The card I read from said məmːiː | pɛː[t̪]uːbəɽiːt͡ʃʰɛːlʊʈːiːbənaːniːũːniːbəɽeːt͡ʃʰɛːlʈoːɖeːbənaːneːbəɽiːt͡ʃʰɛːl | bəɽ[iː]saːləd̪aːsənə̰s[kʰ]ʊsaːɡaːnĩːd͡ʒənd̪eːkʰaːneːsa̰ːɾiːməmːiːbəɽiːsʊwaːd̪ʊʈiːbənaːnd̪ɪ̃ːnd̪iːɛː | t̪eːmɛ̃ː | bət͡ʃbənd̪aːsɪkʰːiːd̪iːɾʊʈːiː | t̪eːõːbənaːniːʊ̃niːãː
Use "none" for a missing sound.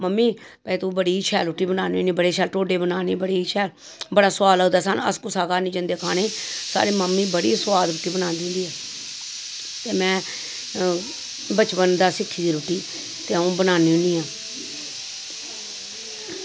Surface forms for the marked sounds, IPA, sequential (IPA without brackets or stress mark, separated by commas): t̪, aː, k